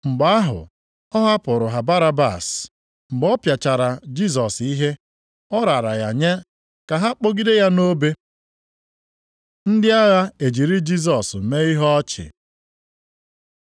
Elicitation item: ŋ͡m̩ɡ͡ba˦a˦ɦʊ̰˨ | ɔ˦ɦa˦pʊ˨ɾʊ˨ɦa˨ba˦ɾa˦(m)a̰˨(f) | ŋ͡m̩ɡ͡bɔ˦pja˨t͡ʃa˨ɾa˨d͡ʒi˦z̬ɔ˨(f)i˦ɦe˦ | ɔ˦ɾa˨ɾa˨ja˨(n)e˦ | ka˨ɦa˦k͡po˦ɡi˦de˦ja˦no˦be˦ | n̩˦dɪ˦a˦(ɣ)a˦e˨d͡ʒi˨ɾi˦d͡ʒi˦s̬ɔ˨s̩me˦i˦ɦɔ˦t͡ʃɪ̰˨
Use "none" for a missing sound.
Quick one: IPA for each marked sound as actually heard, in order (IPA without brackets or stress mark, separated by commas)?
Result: b, s, s, ɲ, ɣ